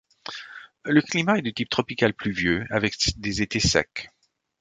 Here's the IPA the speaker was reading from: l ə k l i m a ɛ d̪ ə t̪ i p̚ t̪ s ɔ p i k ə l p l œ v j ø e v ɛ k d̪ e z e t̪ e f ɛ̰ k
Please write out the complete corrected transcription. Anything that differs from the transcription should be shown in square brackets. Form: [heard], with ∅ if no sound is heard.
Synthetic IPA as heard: l ə k l i m a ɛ d̪ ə t̪ i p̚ t̪ [χ] ɔ p i k [a] l p l [y] v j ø [a] v ɛ k d̪ e z e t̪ e [s] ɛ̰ k